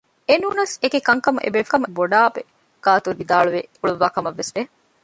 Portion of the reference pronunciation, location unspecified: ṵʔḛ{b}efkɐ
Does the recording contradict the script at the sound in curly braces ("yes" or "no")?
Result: no